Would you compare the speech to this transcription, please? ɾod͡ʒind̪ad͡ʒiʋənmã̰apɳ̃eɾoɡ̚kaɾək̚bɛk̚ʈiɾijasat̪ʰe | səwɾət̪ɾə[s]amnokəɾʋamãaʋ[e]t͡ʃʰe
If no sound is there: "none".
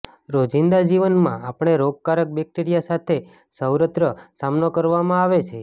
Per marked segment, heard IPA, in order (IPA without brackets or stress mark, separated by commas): s, e